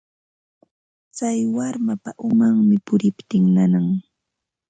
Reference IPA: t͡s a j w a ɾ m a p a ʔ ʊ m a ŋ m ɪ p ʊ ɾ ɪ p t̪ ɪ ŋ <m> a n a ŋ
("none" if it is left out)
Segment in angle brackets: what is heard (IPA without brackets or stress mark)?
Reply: n